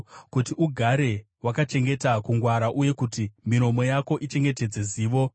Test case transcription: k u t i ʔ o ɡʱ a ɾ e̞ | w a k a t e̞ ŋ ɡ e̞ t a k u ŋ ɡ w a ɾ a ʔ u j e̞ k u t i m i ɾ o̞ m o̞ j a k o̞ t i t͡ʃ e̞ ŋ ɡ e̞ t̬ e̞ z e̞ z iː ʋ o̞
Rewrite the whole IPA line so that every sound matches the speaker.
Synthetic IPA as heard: k u t i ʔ u ɡʱ a ɾ e̞ | w a k a t͡ʃ e̞ ŋ ɡ e̞ t a k u ŋ ɡ w a ɾ a ʔ u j e̞ k u t i m i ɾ o̞ m o̞ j a k o̞ ʔ i t͡ʃ e̞ ŋ ɡ e̞ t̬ e̞ d͡z e̞ z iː ʋ o̞